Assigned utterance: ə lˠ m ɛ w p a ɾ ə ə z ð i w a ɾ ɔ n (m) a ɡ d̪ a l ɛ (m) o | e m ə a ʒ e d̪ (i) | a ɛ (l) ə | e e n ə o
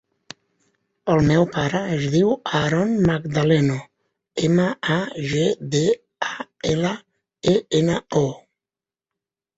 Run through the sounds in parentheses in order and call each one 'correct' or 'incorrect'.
correct, incorrect, incorrect, correct

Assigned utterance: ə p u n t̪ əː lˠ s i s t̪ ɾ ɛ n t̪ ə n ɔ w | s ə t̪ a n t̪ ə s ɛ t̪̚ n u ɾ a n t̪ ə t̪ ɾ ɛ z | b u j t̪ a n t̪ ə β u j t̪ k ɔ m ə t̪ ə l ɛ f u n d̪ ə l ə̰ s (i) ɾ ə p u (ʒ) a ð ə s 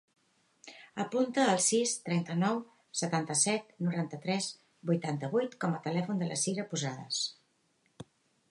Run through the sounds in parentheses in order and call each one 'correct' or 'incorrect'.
correct, incorrect

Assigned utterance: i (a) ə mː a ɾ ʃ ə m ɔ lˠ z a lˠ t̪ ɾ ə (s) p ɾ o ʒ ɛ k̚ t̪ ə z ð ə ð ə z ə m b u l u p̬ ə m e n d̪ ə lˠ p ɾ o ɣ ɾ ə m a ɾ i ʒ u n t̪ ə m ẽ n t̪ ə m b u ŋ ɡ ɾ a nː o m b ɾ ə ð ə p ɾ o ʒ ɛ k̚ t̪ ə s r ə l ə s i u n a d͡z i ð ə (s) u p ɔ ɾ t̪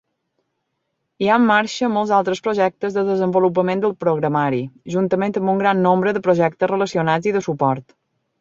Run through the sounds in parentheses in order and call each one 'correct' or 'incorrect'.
correct, correct, correct

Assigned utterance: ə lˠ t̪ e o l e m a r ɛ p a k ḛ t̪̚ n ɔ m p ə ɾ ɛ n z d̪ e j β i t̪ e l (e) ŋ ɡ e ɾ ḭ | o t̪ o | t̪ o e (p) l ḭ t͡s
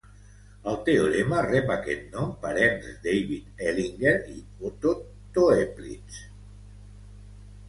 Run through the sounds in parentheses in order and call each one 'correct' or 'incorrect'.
incorrect, correct

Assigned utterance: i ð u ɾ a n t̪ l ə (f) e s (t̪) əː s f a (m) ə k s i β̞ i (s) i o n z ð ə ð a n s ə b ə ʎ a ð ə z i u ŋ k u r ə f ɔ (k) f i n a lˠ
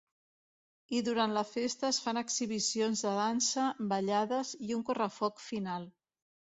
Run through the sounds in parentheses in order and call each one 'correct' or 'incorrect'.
correct, correct, incorrect, correct, correct

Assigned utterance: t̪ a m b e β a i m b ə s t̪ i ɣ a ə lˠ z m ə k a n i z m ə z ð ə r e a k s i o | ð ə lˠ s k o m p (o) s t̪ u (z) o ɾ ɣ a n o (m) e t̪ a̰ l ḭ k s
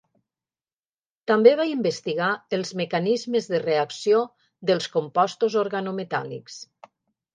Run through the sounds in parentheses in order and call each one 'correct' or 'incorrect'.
incorrect, correct, correct

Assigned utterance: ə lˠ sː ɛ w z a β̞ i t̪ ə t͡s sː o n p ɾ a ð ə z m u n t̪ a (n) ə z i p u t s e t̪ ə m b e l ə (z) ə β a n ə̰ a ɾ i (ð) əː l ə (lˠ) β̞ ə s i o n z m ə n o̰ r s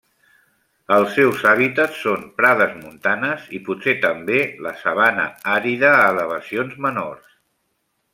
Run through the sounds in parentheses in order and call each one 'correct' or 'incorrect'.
correct, incorrect, correct, incorrect

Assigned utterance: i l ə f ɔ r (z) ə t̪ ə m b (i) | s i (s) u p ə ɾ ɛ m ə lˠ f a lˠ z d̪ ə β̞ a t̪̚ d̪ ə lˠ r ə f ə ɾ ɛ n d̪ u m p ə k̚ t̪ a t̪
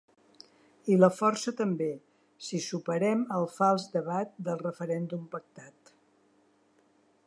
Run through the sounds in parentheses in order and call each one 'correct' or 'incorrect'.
incorrect, incorrect, correct

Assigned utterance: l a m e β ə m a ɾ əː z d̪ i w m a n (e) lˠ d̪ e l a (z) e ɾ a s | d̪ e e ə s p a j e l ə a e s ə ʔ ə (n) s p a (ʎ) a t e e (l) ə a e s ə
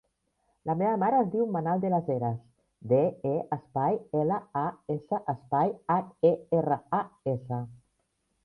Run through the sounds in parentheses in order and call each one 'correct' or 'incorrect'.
incorrect, correct, incorrect, incorrect, incorrect

